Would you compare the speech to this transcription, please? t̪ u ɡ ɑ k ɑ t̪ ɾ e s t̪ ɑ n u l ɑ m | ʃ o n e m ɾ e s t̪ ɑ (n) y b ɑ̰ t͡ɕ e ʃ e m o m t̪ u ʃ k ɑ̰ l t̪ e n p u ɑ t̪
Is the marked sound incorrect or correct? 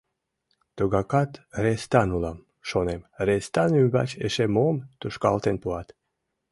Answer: correct